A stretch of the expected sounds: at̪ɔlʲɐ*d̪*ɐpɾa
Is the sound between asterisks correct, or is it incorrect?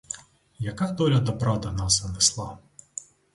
correct